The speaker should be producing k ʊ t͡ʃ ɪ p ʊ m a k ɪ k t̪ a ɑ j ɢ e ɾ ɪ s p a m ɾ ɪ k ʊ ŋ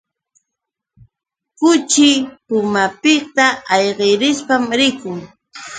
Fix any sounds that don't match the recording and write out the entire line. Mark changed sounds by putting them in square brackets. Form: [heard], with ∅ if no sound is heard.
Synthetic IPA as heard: k ʊ t͡ʃ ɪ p ʊ m a [p] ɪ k t̪ a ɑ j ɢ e ɾ ɪ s p a m ɾ ɪ k ʊ ŋ